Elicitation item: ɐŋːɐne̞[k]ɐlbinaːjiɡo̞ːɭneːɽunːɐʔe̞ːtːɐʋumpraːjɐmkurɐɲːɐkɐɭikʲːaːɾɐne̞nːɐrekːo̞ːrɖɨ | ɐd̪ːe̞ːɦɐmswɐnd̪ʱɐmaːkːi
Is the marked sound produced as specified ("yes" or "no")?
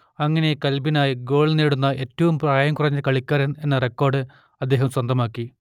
yes